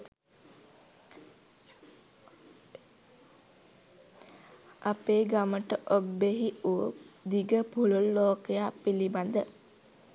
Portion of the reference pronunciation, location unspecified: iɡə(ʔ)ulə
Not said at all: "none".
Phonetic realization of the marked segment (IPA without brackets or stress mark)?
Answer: p